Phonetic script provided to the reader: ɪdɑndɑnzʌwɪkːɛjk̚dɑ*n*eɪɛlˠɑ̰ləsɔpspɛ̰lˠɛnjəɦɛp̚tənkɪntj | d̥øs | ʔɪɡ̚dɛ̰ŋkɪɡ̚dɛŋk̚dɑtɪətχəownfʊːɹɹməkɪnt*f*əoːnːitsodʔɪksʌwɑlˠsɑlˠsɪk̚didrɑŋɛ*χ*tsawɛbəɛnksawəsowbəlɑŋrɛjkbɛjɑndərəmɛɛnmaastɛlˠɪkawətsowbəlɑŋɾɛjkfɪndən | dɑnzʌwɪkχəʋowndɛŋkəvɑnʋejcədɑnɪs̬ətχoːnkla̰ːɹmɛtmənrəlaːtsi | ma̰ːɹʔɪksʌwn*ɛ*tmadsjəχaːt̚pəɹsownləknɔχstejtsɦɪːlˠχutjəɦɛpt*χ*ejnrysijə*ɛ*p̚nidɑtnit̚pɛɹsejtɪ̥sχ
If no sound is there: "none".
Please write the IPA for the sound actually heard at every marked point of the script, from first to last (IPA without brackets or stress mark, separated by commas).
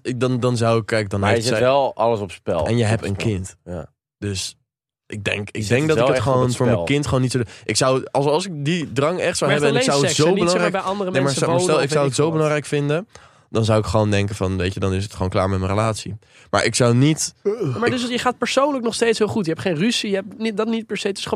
n, χ, χ, i, χ, ɛ